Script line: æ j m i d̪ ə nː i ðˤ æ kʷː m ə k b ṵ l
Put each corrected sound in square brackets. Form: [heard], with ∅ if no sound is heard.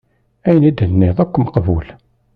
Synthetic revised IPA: æ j [n] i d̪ ə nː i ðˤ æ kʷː m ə [q] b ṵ l